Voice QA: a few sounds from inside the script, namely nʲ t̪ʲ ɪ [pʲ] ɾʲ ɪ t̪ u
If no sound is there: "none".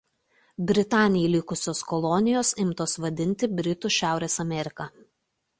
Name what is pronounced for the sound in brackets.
bʲ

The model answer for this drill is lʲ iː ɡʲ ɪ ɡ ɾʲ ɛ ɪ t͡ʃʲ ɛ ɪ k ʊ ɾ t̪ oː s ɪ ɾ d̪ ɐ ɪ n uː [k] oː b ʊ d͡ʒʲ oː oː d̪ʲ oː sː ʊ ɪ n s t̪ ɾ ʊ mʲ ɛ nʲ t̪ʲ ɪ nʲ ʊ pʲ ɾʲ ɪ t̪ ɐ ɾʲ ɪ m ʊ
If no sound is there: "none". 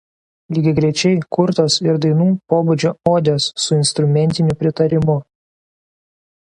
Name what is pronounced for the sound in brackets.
p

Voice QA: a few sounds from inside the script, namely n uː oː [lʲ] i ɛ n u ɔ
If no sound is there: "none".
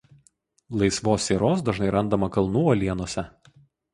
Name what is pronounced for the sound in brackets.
lʲ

